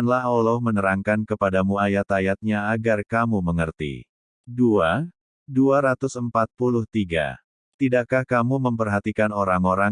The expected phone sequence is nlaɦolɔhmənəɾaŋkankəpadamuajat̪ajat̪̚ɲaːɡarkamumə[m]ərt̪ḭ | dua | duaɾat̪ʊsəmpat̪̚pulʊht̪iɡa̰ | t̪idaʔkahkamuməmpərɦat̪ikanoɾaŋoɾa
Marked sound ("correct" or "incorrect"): incorrect